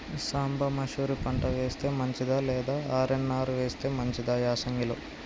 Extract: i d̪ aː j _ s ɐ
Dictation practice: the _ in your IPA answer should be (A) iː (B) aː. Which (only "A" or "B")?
B